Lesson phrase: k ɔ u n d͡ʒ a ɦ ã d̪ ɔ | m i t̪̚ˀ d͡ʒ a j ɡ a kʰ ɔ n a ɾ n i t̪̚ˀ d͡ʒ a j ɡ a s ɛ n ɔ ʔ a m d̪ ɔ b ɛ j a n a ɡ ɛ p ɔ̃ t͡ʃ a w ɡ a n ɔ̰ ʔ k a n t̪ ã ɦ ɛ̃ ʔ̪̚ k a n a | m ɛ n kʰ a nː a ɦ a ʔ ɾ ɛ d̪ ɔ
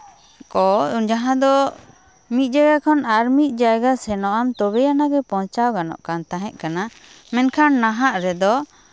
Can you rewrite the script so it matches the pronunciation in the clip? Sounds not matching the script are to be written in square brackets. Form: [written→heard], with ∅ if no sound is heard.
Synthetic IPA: k ɔ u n d͡ʒ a ɦ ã d̪ ɔ | m i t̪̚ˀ d͡ʒ a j ɡ a kʰ ɔ n a ɾ [n→m] i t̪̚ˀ d͡ʒ a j ɡ a s ɛ n ɔ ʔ a m [d̪→t̪] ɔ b ɛ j a n a ɡ ɛ p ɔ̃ t͡ʃ a w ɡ a n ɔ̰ ʔ k a n t̪ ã ɦ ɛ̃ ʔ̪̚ k a n a | m ɛ n kʰ a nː a ɦ a ʔ ɾ ɛ d̪ ɔ